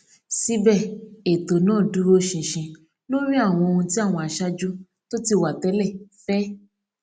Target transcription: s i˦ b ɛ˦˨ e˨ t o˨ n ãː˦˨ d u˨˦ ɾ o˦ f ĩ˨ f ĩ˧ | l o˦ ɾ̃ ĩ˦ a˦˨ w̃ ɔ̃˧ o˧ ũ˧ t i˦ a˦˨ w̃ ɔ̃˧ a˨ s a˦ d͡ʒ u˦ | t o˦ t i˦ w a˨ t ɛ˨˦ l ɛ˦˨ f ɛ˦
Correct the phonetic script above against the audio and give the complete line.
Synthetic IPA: s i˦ b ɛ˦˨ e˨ t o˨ n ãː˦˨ d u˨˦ ɾ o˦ ʃ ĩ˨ ʃ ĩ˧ | l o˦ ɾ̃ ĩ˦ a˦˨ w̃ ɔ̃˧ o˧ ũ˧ t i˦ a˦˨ w̃ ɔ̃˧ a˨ ʃ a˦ d͡ʒ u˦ | t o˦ t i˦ w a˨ t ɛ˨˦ l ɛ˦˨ f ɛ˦